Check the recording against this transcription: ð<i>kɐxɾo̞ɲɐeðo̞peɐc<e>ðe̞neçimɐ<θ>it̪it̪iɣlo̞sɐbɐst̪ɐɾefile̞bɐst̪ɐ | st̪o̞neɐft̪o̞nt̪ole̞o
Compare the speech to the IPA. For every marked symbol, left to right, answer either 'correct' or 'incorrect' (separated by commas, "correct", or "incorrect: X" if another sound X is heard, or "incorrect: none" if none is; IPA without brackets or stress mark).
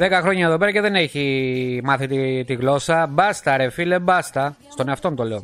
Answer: incorrect: e, correct, correct